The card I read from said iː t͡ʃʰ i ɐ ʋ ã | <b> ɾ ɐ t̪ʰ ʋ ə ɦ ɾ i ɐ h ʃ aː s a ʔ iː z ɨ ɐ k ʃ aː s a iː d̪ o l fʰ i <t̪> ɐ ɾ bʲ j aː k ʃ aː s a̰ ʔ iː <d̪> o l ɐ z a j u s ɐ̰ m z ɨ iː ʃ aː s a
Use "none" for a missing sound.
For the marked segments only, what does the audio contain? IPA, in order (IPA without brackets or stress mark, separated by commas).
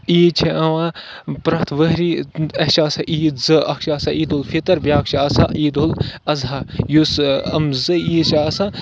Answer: p, t̪, d̪